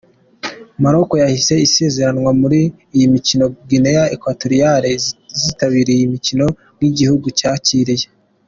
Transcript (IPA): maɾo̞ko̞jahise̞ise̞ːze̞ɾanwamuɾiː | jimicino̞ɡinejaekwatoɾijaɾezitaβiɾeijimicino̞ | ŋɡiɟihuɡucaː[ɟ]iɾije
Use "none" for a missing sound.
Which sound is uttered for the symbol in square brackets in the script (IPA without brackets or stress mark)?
c